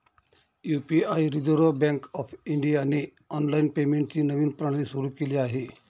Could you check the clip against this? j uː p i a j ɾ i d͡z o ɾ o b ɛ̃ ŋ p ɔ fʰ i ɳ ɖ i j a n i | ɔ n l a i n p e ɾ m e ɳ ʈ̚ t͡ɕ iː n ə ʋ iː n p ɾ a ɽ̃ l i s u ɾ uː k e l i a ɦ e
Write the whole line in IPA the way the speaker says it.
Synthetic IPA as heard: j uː p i a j ɾ i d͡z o ɾ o b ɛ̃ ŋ k ɔ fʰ i ɳ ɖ i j a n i | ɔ n l a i n p e m e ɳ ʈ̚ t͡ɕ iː n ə ʋ iː n p ɾ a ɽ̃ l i s u ɾ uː k e l i a ɦ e